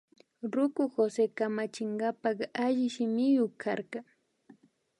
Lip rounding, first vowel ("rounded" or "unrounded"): rounded